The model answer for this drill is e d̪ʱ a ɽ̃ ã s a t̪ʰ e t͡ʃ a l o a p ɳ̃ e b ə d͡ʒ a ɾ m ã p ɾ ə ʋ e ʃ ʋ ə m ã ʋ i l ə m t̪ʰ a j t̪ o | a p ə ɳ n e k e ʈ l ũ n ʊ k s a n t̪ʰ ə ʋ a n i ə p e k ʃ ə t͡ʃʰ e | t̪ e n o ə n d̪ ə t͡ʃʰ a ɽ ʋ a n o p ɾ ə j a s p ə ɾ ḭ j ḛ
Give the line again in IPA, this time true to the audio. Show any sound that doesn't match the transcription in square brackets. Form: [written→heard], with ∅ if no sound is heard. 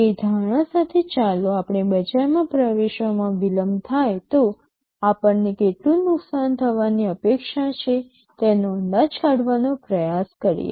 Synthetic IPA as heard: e d̪ʱ a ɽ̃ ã s a t̪ʰ e t͡ʃ a l o a p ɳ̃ e b ə d͡ʒ a ɾ m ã p ɾ ə ʋ e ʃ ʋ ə m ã ʋ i l ə m t̪ʰ a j t̪ o | a p ə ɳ n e k e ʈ l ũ n ʊ k s a n t̪ʰ ə ʋ a n i ə p e k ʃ [ə→a] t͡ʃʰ e | t̪ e n o ə n d̪ [ə→a] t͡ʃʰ a ɽ ʋ a n o p ɾ ə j a s [p→k] ə ɾ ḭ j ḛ